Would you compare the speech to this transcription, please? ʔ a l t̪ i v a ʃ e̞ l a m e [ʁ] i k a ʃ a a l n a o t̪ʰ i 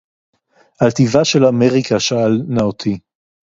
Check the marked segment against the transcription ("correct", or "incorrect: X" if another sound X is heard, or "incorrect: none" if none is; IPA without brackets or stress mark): correct